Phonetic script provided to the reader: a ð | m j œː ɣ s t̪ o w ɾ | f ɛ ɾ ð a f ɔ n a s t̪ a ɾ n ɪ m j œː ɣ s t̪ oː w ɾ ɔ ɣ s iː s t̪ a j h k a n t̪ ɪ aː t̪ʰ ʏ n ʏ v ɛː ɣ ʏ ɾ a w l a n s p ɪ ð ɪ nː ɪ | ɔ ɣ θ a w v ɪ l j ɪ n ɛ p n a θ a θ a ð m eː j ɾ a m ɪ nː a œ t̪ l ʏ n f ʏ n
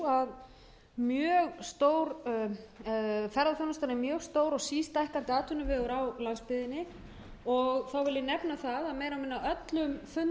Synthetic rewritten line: a ð | m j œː ɣ s t̪ o w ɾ | f ɛ ɾ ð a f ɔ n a s t̪ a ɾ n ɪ m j œː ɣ s t̪ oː w ɾ ɔ ɣ s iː s t̪ a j h k a n t̪ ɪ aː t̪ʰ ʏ n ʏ v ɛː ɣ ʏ ɾ a w l a n s p ɪ ð ɪ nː ɪ | ɔ ɣ θ a w v ɪ l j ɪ n ɛ p n a θ a ð a ð m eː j ɾ a m ɪ nː a œ t̪ l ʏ m f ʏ n